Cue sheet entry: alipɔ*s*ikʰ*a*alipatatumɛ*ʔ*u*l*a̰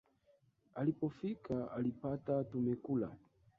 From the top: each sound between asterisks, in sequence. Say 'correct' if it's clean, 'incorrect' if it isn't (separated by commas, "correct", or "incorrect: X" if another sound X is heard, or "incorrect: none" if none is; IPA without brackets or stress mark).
incorrect: f, correct, incorrect: k, correct